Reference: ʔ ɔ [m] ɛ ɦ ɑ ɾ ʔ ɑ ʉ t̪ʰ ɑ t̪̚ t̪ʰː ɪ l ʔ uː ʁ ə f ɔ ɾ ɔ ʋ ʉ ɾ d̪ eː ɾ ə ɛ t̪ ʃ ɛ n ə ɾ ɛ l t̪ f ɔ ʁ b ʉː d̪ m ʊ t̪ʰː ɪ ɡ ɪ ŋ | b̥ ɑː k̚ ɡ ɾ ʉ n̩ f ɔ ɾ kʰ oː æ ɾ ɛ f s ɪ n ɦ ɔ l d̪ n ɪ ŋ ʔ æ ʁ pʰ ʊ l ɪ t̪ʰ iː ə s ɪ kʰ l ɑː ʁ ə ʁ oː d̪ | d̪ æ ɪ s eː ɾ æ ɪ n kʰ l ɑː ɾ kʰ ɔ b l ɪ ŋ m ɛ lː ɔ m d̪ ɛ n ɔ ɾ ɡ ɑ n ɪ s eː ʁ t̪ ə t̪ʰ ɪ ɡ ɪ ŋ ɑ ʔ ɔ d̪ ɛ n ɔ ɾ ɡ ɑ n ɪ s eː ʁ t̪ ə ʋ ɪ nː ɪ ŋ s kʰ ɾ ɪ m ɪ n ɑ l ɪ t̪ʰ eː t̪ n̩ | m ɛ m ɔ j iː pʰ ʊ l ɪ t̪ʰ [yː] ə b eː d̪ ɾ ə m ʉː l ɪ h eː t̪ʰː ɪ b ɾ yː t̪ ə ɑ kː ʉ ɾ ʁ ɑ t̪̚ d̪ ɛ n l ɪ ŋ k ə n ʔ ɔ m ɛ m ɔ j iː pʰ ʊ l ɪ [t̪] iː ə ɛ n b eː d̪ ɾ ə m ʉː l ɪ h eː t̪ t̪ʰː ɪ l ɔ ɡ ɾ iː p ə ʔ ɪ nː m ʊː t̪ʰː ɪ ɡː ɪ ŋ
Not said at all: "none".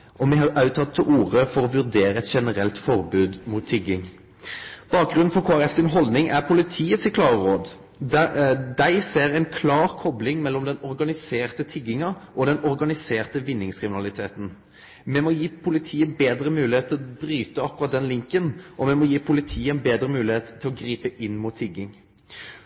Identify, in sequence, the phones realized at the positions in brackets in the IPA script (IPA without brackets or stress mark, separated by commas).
m, iː, t̪ʰ